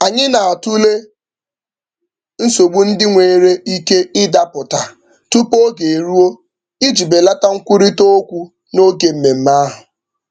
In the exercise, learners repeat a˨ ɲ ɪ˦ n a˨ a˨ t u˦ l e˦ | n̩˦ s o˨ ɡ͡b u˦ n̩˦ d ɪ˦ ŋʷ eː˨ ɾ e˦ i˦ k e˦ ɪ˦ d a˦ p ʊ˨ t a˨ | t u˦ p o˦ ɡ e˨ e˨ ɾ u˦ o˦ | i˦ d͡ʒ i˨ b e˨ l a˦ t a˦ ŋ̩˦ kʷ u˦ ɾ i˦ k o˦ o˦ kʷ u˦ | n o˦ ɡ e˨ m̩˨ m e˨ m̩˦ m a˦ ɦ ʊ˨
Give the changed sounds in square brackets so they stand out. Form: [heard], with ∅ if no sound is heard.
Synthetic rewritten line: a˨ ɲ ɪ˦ n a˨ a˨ t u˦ l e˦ | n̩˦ s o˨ ɡ͡b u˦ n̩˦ d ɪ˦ ŋʷ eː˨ ɾ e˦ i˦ k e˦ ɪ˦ d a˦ p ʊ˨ t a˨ | t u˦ p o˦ ɡ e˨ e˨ ɾ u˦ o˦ | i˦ d͡ʒ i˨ b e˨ l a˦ t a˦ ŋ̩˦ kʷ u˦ ɾ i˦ [t] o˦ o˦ kʷ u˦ | n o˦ ɡ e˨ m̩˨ m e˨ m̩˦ m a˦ ɦ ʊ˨

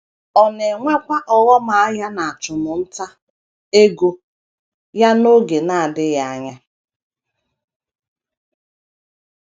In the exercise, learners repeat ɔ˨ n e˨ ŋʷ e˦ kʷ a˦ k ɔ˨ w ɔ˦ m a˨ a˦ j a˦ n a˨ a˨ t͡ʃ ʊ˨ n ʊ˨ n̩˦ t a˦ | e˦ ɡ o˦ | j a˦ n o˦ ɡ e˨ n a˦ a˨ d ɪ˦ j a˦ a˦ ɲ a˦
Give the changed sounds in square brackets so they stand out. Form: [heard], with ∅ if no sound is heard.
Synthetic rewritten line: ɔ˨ n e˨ ŋʷ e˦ kʷ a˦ [ʔ] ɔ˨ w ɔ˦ m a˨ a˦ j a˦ n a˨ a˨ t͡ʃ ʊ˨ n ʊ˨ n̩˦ t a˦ | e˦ ɡ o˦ | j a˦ n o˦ ɡ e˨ n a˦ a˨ d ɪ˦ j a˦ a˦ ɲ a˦

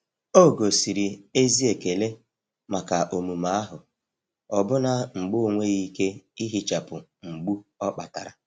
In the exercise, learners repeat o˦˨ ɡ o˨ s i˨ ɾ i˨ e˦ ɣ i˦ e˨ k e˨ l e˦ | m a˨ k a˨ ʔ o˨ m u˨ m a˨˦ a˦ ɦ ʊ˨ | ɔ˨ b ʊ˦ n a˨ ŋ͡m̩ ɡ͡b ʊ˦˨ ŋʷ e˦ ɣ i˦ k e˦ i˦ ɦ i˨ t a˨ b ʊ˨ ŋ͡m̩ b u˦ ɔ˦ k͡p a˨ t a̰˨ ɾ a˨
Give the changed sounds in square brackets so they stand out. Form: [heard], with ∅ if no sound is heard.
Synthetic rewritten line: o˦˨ ɡ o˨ s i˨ ɾ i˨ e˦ [z] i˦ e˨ k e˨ l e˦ | m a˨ k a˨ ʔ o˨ m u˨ m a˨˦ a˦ ɦ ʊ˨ | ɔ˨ b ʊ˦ n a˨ ŋ͡m̩ ɡ͡b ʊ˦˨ ŋʷ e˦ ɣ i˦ k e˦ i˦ ɦ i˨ [t͡ʃ] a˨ [p] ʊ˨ ŋ͡m̩ [ɡ͡b] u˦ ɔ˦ k͡p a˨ t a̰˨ ɾ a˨

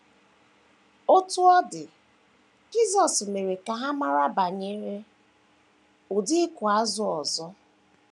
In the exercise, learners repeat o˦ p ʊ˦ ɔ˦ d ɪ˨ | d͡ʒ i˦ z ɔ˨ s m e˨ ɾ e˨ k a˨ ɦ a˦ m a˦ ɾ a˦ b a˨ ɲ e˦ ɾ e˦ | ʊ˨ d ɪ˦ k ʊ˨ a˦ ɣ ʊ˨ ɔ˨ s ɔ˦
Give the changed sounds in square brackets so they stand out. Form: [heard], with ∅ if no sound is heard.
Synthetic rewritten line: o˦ [t] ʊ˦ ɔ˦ d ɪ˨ | d͡ʒ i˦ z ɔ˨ s m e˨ ɾ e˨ k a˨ ɦ a˦ m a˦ ɾ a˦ b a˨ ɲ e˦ ɾ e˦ | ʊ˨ d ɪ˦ k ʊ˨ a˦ [z] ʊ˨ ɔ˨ [z] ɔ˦

